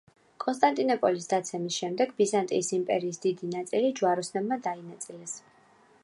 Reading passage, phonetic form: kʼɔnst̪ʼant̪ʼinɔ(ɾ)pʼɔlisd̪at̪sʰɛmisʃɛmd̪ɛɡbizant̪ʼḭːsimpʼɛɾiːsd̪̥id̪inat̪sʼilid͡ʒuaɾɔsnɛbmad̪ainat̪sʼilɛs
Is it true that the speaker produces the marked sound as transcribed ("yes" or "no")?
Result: no